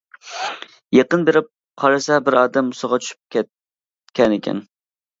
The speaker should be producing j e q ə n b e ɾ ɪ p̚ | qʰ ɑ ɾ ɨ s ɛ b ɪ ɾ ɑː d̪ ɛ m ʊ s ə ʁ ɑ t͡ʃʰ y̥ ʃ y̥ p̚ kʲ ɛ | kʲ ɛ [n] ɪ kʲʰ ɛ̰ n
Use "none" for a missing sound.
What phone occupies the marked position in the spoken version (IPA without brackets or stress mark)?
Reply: n